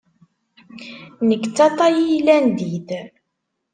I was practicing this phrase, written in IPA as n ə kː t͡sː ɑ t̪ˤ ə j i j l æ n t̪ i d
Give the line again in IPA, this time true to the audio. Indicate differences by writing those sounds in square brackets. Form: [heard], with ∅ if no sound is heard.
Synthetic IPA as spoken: n ə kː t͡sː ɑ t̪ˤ [ɑ] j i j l æ n [d̪] i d